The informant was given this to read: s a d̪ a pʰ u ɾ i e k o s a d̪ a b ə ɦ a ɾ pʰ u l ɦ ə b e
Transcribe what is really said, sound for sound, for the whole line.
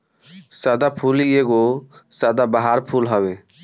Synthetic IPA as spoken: s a d̪ a pʰ u l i e ɡ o s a d̪ a b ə ɦ a ɾ pʰ u l ɦ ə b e

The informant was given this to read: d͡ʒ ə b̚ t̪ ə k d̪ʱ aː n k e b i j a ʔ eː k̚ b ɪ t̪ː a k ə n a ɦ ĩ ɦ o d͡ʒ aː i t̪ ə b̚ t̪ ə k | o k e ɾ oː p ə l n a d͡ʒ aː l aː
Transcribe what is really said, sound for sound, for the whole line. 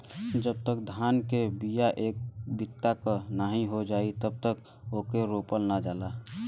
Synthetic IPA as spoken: d͡ʒ ə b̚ t̪ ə k d̪ʱ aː n k e b i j a ʔ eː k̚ b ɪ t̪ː a k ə n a ɦ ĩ ɦ o d͡ʒ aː i t̪ ə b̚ t̪ ə k | o k e ɾ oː p ə l n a d͡ʒ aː l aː

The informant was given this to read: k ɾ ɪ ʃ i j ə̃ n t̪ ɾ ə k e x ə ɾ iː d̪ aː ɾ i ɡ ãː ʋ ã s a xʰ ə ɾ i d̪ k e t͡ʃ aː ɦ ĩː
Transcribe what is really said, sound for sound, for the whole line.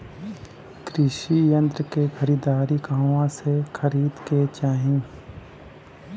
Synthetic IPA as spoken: k ɾ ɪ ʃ i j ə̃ n t̪ ɾ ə k e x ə ɾ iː d̪ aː ɾ i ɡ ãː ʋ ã s e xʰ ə ɾ iː d̪ k e t͡ʃ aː ɦ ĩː

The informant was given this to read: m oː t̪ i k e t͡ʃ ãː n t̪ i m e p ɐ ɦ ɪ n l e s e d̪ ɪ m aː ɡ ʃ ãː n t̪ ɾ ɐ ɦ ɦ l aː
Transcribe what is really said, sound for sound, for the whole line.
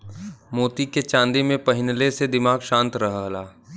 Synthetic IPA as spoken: m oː t̪ i k e t͡ʃ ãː n d̪ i m ẽ p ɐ ɦ ɪ n l e s e d̪ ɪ m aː ɡ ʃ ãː n t̪ ɾ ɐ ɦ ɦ l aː

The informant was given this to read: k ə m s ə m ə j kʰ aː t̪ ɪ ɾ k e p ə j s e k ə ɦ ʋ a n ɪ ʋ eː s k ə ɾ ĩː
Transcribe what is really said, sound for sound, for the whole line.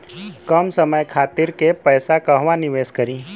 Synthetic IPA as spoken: k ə m s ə m ə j kʰ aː t̪ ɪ ɾ k e p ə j s a k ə ɦ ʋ a n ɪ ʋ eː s k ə ɾ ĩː

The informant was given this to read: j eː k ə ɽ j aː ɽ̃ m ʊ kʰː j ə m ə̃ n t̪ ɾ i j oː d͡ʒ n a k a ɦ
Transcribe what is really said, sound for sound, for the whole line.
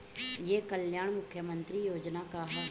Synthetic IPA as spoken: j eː k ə l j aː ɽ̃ m ʊ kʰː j ə m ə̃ n t̪ ɾ i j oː d͡ʒ n a k a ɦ

